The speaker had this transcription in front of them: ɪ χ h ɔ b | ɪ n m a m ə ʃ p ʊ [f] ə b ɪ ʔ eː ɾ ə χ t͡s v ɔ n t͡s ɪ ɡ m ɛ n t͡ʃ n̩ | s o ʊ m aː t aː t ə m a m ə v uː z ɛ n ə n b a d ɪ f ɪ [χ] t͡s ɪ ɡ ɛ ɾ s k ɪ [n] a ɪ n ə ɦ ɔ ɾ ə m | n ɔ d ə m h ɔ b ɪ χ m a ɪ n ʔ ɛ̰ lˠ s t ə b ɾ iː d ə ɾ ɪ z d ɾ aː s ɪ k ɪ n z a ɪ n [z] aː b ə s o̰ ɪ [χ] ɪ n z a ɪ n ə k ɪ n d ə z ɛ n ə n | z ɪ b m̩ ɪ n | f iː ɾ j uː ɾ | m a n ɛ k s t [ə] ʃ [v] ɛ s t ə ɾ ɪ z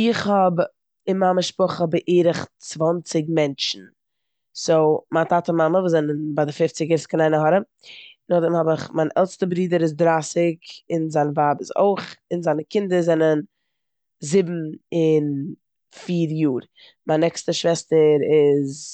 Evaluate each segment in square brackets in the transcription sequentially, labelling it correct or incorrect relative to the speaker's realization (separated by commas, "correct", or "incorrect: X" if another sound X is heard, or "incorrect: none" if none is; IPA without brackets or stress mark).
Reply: incorrect: χ, incorrect: f, correct, incorrect: v, correct, correct, correct